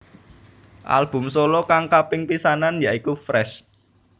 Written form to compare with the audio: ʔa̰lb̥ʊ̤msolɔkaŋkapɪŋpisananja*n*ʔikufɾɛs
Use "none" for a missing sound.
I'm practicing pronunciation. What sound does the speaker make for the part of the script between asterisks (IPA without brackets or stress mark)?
none